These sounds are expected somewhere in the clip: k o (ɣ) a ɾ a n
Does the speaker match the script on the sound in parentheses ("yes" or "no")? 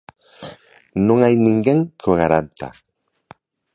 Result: yes